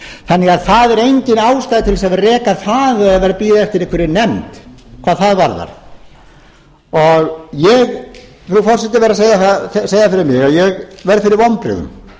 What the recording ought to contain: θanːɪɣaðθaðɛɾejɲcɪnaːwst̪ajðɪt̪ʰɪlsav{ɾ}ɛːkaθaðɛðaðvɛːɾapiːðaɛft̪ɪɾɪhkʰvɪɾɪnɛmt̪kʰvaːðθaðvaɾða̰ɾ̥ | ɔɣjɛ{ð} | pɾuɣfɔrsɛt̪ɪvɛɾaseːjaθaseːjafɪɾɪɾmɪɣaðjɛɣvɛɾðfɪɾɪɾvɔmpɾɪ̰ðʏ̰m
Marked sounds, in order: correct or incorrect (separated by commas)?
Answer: incorrect, incorrect